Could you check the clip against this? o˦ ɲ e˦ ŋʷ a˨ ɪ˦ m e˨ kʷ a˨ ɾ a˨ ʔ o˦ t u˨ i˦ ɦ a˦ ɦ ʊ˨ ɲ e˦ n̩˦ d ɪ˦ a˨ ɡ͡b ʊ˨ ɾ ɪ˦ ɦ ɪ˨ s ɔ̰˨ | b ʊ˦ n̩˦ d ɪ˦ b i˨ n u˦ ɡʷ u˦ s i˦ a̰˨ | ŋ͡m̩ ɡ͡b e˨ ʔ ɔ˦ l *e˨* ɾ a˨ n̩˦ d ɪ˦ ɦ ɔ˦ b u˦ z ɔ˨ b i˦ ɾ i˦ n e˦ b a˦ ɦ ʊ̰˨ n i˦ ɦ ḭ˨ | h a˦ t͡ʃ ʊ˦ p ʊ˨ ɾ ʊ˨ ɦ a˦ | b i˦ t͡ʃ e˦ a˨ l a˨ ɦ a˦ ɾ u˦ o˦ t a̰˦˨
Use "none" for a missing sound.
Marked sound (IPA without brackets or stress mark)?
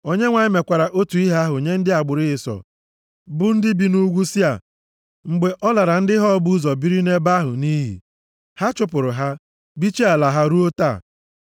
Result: a˨